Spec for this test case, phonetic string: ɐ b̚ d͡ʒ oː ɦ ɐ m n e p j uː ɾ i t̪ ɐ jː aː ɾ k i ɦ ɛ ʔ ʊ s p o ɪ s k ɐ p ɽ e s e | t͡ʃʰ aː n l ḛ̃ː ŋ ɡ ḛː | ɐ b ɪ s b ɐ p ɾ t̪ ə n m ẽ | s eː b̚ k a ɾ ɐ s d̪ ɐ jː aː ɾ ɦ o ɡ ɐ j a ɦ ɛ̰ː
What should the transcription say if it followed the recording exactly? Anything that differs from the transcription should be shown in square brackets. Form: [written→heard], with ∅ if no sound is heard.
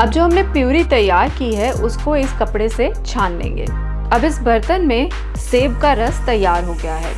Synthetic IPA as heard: ɐ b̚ d͡ʒ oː ɦ ɐ m n e p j uː ɾ i t̪ ɐ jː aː ɾ k i ɦ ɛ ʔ ʊ s [p→k] o ɪ s k ɐ p ɽ e s e | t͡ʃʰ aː n l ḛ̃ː ŋ ɡ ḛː | ɐ b ɪ s b ɐ [p→∅] ɾ t̪ ə n m ẽ | s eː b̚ k a ɾ ɐ s [d̪→t̪] ɐ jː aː ɾ ɦ o ɡ ɐ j a ɦ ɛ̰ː